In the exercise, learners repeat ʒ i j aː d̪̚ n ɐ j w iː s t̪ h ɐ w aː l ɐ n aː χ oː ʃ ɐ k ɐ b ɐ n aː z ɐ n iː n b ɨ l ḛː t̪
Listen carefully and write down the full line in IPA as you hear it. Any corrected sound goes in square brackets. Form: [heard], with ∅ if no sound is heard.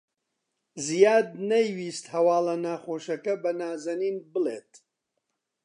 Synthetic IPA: [z] i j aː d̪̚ n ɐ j w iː s t̪ h ɐ w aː l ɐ n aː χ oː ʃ ɐ k ɐ b ɐ n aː z ɐ n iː n b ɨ l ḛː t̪